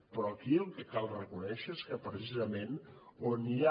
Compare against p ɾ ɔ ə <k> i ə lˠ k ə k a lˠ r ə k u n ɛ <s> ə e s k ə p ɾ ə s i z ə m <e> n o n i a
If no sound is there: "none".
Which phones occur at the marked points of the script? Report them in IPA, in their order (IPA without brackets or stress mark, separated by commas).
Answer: k, ʃ, e